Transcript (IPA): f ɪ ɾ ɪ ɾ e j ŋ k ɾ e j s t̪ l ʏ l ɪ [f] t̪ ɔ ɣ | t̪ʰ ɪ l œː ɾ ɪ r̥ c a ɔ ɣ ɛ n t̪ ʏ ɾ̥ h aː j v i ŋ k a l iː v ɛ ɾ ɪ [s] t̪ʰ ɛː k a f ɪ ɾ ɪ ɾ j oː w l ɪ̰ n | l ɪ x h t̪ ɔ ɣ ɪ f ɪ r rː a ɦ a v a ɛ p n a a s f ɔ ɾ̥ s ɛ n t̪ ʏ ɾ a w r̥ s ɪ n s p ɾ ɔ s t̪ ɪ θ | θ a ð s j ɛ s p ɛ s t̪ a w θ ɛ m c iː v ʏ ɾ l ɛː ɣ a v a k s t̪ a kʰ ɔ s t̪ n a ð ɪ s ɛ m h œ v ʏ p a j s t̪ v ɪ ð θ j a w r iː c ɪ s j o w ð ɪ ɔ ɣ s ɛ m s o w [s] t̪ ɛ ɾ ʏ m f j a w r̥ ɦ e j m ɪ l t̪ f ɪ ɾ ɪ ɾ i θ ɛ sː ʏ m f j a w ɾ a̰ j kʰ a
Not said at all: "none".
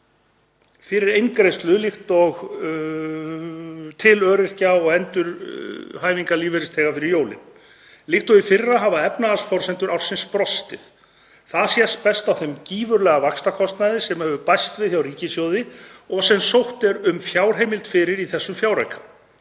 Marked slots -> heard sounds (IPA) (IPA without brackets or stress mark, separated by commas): x, s, h